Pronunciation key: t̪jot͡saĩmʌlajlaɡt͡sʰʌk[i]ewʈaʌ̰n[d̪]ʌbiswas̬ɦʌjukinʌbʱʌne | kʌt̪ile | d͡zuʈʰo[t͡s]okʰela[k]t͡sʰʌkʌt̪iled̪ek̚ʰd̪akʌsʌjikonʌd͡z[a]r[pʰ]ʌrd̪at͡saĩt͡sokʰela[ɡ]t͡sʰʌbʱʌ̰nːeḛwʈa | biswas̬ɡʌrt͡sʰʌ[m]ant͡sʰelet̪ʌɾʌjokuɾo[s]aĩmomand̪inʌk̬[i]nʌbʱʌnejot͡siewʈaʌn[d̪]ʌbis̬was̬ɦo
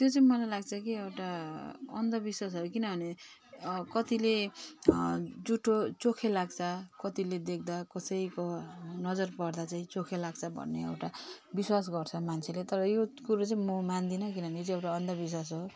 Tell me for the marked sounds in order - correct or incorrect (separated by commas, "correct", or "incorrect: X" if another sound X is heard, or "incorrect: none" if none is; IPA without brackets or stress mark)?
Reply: correct, correct, correct, incorrect: ɡ, incorrect: ʌ, incorrect: p, correct, correct, incorrect: t͡s, correct, correct